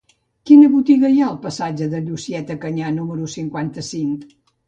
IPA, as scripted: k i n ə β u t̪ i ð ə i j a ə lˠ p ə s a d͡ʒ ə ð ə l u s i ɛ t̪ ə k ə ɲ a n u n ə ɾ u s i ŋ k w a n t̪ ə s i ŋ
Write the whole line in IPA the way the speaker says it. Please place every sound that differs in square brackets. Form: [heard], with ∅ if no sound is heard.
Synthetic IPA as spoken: k i n ə β u t̪ i [ɣ] ə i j a ə lˠ p ə s a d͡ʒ ə ð ə [ʎ] u s i ɛ t̪ ə k ə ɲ a n u [m] ə ɾ u s i ŋ k w a n t̪ ə s i ŋ